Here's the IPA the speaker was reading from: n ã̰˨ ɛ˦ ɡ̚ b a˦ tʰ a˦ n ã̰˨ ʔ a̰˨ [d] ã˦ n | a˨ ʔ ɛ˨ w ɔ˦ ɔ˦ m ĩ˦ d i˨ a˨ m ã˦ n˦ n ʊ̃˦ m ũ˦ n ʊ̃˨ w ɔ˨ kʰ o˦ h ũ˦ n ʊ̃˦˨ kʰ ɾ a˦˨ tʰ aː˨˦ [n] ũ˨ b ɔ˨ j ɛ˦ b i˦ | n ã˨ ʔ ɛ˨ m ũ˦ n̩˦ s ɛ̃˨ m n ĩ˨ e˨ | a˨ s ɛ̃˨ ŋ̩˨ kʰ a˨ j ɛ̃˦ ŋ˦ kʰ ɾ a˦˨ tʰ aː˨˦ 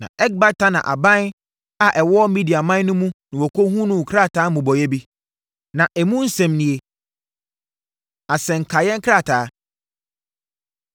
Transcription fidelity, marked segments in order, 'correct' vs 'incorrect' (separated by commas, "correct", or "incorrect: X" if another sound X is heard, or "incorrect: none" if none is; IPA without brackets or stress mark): incorrect: b, incorrect: m